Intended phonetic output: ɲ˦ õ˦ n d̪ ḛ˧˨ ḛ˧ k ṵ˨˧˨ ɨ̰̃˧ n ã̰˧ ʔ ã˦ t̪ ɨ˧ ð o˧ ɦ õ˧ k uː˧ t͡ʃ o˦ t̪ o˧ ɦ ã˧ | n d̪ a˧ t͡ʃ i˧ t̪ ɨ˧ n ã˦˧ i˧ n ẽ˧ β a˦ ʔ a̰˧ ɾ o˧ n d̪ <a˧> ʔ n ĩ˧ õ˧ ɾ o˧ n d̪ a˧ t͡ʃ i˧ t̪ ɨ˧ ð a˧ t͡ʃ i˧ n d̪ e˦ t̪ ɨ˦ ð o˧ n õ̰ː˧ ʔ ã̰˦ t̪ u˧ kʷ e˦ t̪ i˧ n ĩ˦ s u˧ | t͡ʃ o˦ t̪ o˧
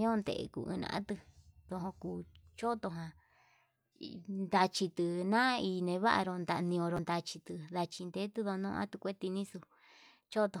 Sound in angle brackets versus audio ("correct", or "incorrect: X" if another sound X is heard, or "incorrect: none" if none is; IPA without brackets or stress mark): correct